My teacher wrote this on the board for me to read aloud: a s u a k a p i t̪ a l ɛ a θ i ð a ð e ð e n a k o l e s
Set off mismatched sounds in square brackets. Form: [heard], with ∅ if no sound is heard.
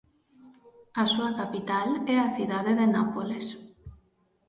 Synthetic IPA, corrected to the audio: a s u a k a p i t̪ a l ɛ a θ i ð a ð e ð e n a [p] o l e s